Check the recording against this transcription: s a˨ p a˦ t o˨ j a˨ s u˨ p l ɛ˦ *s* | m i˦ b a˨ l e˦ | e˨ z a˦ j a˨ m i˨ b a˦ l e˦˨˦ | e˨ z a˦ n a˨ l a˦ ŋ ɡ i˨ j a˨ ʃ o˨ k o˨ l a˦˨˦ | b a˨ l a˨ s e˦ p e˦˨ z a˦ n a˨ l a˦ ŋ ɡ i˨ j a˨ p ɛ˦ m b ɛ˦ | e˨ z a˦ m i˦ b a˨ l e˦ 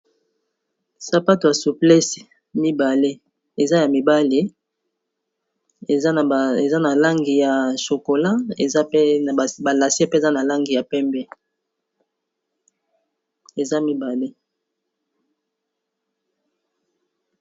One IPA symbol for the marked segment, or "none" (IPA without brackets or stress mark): s